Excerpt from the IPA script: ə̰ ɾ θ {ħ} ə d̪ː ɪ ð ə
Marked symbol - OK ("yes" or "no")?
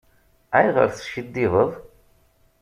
no